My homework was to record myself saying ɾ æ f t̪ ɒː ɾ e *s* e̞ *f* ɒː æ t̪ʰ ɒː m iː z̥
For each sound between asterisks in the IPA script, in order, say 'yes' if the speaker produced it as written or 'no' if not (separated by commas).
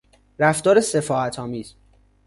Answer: yes, yes